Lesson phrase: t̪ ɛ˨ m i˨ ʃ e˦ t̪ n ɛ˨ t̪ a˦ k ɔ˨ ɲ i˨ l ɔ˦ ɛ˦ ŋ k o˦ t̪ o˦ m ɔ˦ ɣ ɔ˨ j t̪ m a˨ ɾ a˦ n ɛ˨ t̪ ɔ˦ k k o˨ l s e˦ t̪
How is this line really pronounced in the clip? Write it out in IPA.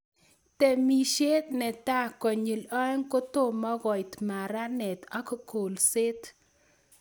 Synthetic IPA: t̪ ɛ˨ m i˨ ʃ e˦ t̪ n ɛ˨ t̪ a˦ k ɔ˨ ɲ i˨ l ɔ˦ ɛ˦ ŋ k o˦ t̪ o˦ m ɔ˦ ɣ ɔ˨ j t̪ m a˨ ɾ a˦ n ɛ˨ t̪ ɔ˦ k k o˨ l s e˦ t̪